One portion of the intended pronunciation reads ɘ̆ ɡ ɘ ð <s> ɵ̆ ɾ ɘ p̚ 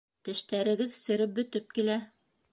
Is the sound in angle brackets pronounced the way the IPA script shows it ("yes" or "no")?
yes